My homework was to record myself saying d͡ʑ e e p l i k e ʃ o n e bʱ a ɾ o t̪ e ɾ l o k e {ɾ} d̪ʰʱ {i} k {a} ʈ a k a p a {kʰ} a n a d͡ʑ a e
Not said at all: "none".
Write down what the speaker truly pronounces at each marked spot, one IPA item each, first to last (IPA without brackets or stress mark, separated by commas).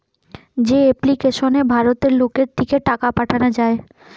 ɾ, i, e, ʈʰ